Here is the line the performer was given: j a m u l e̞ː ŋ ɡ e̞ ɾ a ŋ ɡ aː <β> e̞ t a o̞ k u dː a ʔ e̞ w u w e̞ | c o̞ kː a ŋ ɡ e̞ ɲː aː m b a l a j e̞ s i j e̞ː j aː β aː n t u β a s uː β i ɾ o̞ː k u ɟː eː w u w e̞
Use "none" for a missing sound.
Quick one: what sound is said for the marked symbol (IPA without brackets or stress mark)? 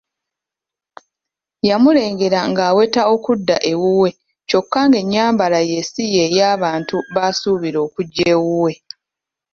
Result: w